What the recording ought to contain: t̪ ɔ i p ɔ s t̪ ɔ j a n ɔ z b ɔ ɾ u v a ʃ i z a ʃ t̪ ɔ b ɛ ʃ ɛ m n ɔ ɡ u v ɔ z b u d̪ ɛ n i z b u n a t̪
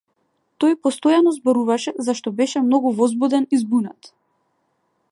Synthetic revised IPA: t̪ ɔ j p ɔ s t̪ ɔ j a n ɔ z b ɔ ɾ u v a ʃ ɛ z a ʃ t̪ ɔ b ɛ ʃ ɛ m n ɔ ɡ u v ɔ z b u d̪ ɛ n i z b u n a t̪